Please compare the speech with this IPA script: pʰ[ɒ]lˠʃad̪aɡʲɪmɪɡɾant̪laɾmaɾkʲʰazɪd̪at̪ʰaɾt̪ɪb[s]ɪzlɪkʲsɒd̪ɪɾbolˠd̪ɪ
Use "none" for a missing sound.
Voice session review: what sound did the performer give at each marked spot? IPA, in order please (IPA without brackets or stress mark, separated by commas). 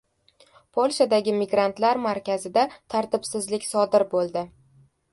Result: o, s